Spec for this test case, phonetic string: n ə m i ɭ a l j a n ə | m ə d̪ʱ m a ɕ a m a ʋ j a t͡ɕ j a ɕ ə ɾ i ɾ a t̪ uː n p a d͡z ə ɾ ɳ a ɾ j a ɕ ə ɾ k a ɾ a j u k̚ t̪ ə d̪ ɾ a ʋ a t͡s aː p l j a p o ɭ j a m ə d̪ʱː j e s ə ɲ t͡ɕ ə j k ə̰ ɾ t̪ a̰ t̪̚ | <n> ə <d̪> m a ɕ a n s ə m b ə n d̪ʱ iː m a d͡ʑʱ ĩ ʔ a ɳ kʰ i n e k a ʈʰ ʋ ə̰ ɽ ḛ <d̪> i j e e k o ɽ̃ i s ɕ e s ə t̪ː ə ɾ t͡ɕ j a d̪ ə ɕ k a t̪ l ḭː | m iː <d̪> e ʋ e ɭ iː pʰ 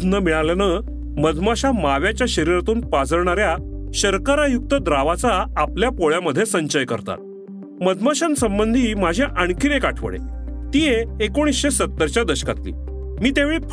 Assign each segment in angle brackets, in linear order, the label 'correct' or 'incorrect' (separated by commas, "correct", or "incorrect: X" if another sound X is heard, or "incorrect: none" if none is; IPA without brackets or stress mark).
incorrect: m, correct, incorrect: t̪, incorrect: t̪